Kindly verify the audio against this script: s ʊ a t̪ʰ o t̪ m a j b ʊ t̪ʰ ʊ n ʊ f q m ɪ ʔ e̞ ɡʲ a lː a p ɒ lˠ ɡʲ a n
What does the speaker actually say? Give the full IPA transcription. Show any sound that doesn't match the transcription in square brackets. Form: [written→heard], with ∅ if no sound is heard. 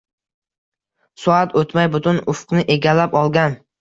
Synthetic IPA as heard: s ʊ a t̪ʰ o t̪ m a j b ʊ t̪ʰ ʊ n ʊ f q [m→n] ɪ ʔ e̞ ɡʲ a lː a p ɒ lˠ ɡʲ a n